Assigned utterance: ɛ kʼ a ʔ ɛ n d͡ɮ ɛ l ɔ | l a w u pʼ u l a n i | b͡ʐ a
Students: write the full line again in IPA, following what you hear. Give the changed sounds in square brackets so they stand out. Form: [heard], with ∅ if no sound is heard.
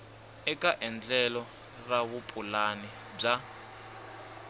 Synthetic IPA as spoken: ɛ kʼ a ʔ ɛ n d͡ɮ ɛ l ɔ | [r] a [β] u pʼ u l a n i | b͡ʐ a

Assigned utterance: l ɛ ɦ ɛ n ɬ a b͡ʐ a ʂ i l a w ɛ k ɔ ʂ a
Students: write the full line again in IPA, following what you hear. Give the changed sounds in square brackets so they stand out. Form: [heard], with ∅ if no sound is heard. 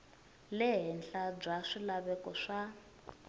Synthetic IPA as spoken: l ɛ ɦ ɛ n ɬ a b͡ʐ a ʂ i l a [β] ɛ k ɔ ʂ a

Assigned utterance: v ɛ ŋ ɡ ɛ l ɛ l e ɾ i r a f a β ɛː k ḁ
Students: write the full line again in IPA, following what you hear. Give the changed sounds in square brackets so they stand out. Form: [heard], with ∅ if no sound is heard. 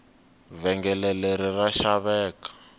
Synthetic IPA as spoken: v ɛ ŋ ɡ ɛ l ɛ l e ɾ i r a [ʃ] a β ɛː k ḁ

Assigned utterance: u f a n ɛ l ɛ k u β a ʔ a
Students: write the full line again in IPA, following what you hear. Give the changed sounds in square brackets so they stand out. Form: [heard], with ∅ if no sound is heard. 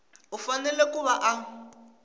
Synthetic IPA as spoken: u f a n ɛ l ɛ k u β a ʔ a

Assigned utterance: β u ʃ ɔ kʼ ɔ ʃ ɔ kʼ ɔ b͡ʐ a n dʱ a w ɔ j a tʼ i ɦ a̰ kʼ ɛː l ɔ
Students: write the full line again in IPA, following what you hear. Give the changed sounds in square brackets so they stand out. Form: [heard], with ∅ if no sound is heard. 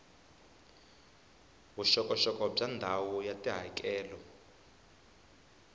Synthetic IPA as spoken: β u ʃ ɔ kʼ ɔ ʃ ɔ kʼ ɔ b͡ʐ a n dʱ a w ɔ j a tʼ i ɦ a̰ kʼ ɛː l ɔ

